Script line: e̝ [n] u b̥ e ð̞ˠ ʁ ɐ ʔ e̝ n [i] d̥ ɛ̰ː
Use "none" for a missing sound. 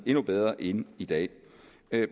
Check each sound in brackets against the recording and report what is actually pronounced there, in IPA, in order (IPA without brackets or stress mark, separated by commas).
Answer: n, i